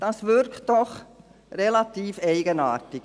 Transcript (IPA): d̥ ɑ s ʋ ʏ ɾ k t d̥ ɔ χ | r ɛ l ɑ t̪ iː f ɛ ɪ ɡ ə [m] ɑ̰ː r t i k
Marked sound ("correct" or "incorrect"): incorrect